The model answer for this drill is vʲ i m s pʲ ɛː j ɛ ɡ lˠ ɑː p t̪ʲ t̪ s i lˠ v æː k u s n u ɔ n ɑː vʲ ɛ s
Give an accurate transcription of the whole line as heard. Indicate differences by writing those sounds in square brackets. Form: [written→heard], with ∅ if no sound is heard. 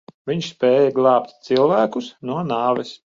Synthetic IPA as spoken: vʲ i [m→ɲ] s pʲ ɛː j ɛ ɡ lˠ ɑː p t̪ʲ t̪ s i lˠ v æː k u s n u ɔ n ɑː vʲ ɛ s